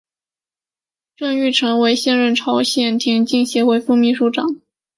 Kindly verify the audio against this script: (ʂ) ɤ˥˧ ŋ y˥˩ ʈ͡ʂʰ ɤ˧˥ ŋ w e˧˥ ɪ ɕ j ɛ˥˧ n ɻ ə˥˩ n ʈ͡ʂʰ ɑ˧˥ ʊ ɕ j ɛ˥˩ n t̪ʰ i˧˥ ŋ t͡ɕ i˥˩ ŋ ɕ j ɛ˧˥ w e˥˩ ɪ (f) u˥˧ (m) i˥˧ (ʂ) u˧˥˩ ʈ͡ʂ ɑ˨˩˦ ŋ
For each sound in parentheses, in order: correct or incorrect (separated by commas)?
incorrect, correct, correct, correct